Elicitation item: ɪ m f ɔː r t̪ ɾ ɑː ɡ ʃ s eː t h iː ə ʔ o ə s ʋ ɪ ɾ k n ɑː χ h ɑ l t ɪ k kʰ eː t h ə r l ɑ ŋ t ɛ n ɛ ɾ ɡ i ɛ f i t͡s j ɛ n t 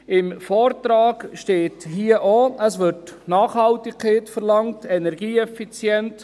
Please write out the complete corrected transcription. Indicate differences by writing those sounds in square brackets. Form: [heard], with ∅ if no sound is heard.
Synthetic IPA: ɪ m f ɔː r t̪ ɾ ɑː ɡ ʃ [t] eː t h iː ə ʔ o ə s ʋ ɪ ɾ [t] n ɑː χ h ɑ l t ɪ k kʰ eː t [f] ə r l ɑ ŋ t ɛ n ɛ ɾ ɡ [iː] ɛ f i t͡s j ɛ n t